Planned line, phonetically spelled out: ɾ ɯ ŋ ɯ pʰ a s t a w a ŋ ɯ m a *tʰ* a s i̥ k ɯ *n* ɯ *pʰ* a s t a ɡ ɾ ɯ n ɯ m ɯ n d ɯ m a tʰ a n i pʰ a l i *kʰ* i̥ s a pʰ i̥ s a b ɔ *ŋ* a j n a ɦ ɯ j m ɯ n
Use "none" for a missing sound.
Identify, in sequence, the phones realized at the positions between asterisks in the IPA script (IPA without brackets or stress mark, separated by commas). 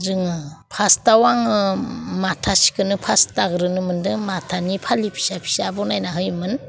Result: tʰ, n, pʰ, pʰ, n